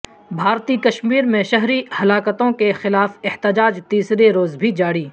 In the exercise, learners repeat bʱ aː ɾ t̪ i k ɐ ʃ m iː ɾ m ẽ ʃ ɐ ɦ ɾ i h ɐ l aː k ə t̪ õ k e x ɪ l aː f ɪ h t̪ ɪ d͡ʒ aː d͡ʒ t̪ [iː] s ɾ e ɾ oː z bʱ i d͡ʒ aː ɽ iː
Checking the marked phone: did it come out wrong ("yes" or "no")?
no